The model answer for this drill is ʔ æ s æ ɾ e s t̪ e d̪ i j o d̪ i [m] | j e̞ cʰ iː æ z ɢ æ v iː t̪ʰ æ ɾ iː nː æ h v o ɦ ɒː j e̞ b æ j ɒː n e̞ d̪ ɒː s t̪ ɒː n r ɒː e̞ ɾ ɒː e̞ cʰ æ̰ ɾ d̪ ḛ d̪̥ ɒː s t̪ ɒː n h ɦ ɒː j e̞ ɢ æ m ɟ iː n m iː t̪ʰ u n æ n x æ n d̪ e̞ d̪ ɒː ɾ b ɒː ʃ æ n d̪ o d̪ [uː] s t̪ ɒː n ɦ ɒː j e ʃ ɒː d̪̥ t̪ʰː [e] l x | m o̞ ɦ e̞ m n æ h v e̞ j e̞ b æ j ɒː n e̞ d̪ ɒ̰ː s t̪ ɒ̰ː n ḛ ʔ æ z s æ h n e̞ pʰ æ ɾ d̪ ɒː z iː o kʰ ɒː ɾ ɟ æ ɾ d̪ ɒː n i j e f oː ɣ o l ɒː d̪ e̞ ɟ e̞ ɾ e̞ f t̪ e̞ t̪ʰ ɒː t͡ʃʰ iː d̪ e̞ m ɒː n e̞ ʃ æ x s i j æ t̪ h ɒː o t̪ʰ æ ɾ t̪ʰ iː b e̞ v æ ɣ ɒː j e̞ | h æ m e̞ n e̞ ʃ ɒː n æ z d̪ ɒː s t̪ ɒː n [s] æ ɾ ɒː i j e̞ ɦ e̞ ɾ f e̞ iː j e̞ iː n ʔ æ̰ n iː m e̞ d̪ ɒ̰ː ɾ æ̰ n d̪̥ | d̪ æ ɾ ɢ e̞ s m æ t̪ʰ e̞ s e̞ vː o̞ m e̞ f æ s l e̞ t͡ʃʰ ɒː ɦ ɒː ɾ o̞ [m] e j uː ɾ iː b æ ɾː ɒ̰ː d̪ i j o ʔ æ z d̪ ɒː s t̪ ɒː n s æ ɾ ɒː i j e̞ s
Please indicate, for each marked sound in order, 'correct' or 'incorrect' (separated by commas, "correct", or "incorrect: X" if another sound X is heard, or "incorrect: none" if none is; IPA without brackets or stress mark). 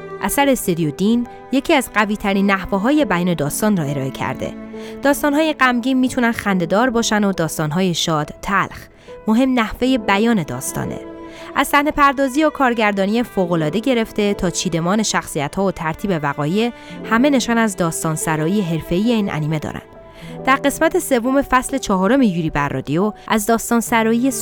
incorrect: n, incorrect: ɒː, incorrect: æ, correct, correct